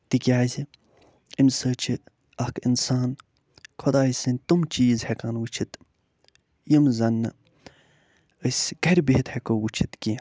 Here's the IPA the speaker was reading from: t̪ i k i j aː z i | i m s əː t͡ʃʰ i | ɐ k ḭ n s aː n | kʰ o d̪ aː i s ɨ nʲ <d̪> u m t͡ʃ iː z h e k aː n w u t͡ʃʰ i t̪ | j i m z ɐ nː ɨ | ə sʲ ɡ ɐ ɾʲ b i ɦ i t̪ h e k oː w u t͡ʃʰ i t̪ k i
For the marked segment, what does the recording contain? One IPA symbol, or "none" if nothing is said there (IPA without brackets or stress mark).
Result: t̪